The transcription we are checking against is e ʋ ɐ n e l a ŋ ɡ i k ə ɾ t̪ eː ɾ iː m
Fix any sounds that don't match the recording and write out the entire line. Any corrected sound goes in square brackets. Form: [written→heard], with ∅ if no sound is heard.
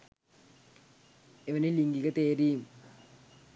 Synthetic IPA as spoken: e ʋ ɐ n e l [a→i] ŋ ɡ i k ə [ɾ→∅] t̪ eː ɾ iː m

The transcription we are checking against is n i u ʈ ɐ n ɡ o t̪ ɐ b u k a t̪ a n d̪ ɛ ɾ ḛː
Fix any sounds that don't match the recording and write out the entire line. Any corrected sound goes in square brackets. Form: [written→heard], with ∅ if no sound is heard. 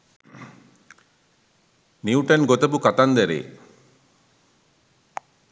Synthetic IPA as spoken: n i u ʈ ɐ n ɡ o t̪ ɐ b u k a t̪ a n d̪ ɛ ɾ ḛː

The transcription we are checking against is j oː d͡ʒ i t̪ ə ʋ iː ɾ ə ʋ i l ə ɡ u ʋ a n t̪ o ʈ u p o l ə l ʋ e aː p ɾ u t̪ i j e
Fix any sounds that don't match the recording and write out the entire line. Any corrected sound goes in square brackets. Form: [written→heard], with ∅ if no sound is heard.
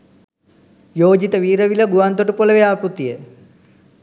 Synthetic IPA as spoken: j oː d͡ʒ i t̪ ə ʋ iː ɾ ə ʋ i l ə ɡ u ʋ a n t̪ o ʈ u p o l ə [l→∅] ʋ e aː p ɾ u t̪ i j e

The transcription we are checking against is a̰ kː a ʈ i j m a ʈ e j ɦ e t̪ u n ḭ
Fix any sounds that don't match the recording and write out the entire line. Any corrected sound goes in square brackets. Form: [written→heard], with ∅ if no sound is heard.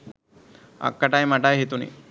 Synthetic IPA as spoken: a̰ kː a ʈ [i→a] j m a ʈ [e→a] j ɦ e t̪ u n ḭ

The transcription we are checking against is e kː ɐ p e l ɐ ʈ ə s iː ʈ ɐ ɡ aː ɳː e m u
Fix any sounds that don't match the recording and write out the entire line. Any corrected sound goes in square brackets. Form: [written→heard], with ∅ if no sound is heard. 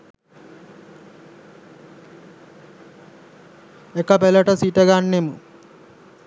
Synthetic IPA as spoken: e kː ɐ p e l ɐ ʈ [ə→ɐ] s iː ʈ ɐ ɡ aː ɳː e m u

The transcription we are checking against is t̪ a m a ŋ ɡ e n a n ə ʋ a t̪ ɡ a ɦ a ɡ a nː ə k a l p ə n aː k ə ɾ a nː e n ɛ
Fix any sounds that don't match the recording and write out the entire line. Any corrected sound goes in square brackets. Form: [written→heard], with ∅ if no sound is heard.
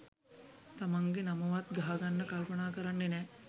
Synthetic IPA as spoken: t̪ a m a ŋ ɡ e n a [n→m] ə ʋ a t̪ ɡ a ɦ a ɡ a nː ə k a l p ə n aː k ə ɾ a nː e n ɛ

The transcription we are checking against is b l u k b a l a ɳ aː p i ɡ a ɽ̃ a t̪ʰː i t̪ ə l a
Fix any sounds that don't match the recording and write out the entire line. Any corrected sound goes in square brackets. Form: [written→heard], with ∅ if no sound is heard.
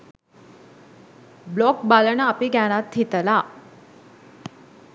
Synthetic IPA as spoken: b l [u→ɔ] k b a l [a→ə] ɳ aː p i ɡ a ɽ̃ a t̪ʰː i t̪ ə l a

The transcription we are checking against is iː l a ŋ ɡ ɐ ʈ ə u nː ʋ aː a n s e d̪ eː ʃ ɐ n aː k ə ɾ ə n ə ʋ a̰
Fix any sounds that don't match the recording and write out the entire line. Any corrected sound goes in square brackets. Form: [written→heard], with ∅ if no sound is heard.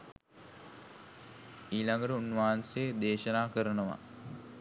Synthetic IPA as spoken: iː l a ŋ ɡ [ɐ→ə] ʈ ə u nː ʋ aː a n s e d̪ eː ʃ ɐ n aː k ə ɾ ə n ə ʋ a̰

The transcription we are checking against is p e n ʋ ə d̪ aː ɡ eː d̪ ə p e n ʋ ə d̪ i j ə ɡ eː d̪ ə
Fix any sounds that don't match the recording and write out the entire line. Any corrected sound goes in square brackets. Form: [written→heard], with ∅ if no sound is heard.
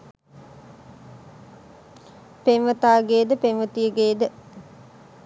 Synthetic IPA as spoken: p e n ʋ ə [d̪→t̪] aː ɡ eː d̪ ə p e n ʋ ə [d̪→t̪] i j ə ɡ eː d̪ ə

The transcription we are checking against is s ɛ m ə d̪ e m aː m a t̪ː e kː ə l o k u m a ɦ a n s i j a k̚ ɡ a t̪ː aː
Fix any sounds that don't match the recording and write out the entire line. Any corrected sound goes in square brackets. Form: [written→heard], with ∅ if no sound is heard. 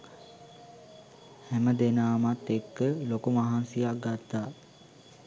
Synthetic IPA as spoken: [s→h] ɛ m ə d̪ e [m→n] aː m a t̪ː e kː ə l o k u m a ɦ a n s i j a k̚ ɡ a t̪ː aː

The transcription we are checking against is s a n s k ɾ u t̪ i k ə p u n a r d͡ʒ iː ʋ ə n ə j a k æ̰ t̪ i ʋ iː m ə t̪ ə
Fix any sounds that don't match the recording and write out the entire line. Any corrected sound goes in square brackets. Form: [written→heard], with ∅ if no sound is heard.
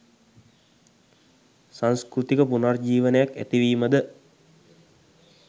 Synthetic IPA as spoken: s a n s k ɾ u t̪ i k ə p u n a r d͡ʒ iː ʋ ə n ə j a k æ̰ t̪ i ʋ iː m ə [t̪→d̪] ə

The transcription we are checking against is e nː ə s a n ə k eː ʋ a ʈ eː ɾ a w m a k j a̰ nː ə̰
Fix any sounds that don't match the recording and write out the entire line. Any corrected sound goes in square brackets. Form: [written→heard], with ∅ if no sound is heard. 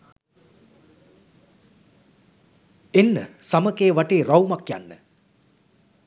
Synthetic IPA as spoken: e nː ə s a [n→m] ə k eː ʋ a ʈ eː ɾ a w m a k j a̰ nː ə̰

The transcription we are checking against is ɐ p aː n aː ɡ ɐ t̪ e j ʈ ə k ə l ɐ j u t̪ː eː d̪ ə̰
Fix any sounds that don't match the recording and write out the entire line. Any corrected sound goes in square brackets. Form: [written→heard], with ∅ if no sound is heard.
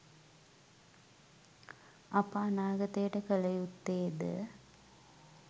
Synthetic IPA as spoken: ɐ p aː n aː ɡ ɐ t̪ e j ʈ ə k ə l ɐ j u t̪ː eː d̪ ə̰

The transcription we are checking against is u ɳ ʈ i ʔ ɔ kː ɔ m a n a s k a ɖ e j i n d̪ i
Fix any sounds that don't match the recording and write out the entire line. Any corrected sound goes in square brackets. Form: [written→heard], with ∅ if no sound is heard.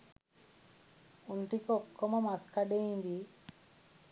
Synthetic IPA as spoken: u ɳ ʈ i [ʔ→k] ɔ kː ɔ m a [n→m] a s k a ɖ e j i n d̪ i

